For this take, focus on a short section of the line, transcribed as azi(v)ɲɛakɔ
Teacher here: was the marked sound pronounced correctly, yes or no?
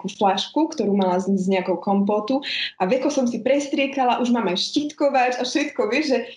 no